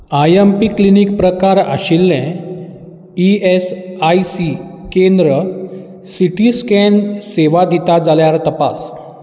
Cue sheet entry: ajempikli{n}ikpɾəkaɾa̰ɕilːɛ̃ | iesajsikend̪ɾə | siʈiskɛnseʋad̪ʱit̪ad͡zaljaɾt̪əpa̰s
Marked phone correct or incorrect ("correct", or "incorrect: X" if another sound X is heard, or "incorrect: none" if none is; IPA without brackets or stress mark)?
correct